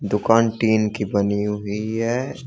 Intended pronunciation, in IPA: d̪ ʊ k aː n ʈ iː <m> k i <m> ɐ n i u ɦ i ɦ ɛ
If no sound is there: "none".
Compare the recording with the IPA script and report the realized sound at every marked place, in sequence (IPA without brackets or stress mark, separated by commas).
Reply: n, b